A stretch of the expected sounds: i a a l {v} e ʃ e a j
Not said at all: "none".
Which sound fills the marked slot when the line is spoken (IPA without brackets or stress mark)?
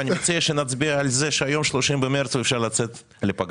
z